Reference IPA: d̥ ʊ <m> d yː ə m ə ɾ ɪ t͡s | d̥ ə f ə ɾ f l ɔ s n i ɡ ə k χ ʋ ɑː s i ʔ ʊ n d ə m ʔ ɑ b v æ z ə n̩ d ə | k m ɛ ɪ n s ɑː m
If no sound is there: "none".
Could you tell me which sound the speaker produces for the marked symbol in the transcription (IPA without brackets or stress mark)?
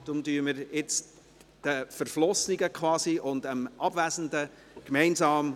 m